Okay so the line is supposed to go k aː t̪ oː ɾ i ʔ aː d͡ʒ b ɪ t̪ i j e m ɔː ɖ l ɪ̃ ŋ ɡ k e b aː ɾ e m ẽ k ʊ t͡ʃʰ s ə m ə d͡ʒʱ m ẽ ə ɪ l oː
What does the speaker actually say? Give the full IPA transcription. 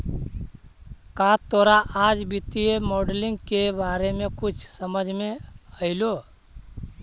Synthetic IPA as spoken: k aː t̪ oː ɾ a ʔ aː d͡ʒ b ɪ t̪ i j e m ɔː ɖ l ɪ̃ ŋ ɡ k e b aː ɾ e m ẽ k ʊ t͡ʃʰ s ə m ə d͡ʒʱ m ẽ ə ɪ l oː